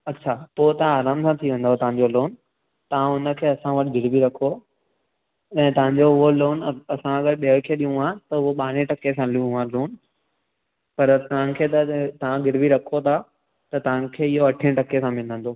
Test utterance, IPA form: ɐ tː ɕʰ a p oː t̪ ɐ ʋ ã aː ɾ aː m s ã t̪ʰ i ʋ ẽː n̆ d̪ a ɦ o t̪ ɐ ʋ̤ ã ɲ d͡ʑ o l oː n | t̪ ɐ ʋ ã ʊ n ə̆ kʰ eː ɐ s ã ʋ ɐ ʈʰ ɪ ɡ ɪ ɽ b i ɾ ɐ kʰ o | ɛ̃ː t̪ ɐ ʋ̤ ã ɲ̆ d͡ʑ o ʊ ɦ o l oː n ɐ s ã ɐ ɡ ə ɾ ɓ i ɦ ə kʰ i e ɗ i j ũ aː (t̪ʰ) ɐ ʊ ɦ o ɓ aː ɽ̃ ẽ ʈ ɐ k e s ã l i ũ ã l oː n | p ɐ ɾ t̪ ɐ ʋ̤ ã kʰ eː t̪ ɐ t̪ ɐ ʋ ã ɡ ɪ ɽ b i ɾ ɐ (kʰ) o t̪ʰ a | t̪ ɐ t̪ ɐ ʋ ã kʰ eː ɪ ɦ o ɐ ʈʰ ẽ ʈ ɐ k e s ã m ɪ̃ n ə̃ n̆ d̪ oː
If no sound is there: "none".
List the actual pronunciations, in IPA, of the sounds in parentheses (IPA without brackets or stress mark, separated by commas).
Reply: t̪, kʰ